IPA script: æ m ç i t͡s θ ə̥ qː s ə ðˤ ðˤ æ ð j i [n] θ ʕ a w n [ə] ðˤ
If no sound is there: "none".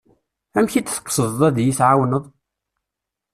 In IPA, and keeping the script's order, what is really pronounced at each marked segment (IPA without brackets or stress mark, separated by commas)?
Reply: none, ə